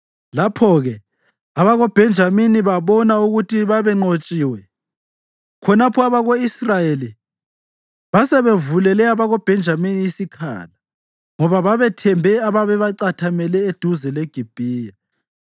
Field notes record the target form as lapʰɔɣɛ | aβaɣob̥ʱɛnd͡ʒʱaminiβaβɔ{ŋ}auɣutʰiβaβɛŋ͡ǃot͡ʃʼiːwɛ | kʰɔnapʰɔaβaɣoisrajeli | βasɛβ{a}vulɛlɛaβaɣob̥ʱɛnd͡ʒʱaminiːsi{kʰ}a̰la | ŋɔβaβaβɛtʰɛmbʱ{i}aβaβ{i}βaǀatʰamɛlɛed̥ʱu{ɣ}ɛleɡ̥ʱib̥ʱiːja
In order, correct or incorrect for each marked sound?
incorrect: n, incorrect: e, correct, incorrect: ɛ, incorrect: ɛ, incorrect: z

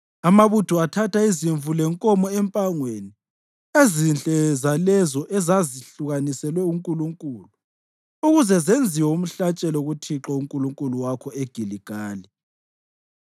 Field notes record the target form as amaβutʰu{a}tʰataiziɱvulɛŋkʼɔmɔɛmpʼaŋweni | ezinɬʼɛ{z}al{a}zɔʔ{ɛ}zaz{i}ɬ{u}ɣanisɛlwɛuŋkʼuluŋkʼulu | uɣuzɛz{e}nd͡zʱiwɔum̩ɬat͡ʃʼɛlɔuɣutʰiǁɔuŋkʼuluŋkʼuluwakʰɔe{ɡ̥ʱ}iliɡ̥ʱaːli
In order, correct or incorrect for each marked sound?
correct, correct, incorrect: ɛ, correct, correct, correct, correct, correct

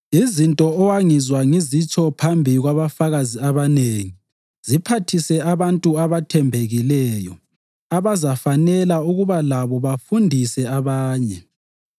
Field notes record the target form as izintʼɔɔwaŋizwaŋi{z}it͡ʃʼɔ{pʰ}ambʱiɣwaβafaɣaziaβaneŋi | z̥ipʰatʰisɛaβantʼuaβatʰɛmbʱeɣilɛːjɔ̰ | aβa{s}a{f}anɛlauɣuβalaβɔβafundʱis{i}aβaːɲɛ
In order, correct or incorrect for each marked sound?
correct, correct, incorrect: z, correct, incorrect: ɛ

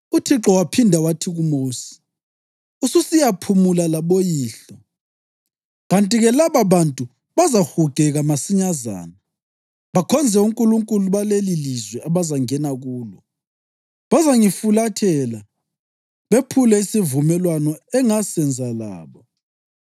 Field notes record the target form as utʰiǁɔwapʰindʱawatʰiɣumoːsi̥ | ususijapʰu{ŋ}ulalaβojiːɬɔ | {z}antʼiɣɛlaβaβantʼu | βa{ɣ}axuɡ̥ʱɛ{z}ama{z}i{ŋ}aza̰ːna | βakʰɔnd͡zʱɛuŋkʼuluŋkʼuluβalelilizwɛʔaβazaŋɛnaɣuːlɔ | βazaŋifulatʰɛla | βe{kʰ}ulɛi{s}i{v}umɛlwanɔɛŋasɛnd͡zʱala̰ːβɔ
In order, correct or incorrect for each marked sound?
incorrect: m, incorrect: ɣ, incorrect: z, incorrect: ɣ, incorrect: s, incorrect: ɲ, incorrect: pʰ, correct, correct

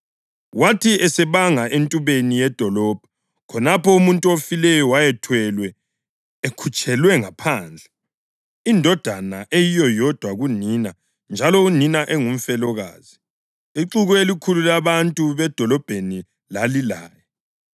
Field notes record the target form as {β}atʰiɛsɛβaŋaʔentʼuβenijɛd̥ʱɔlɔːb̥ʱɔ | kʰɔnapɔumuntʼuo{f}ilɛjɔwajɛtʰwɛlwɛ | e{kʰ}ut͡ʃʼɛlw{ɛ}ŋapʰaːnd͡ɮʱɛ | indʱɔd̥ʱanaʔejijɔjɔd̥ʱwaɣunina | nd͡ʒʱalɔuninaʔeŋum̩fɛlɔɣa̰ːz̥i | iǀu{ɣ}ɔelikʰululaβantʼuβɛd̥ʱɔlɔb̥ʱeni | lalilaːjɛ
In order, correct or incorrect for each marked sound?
incorrect: w, correct, correct, correct, correct

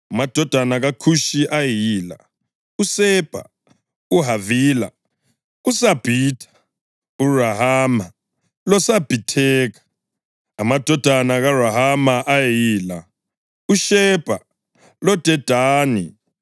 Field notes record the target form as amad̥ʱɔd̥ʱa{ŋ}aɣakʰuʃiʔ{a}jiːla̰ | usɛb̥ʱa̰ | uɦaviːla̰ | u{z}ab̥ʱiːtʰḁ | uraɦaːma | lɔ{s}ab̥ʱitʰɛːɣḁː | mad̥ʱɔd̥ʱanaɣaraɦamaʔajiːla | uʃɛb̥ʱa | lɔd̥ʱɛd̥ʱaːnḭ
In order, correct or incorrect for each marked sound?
incorrect: n, correct, incorrect: s, correct

